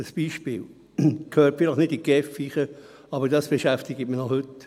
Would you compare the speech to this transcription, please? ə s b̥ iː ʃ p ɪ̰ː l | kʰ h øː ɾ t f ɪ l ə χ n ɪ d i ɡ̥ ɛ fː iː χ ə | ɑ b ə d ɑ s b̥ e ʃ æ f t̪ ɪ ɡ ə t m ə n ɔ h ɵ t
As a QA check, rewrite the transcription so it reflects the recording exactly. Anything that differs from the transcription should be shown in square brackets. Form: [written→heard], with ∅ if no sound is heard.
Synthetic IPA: ə s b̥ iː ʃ p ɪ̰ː l | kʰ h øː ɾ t f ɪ l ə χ n ɪ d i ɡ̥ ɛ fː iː χ ə | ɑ b ə d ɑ s b̥ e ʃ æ f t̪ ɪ ɡ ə t m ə n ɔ h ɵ t